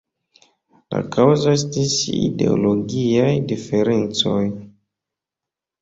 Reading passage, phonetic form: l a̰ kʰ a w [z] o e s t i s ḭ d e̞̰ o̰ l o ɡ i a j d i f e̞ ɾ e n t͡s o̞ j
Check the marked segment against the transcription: correct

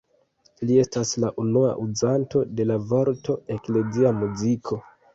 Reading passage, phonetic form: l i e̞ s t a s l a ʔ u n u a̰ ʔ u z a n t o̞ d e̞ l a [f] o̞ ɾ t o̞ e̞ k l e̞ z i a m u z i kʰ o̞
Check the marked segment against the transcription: incorrect: v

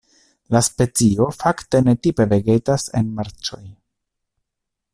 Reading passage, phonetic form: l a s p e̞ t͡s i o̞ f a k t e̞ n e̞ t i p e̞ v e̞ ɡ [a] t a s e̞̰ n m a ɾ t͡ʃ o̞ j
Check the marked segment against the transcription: incorrect: e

